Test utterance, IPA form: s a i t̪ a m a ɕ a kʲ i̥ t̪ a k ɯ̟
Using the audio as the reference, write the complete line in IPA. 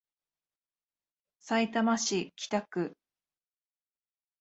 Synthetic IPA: s a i t̪ a m a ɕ i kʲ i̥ t̪ a k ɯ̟